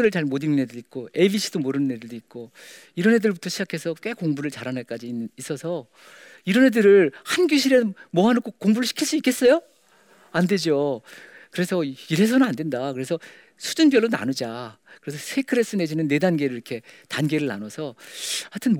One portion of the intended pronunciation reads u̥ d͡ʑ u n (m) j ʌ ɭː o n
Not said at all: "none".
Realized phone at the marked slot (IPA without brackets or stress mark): b